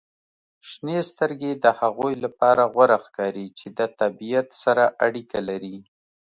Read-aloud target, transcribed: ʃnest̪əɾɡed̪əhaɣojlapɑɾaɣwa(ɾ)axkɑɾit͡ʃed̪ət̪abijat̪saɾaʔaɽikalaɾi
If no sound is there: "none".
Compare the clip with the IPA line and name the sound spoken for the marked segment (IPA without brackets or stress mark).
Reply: ɾ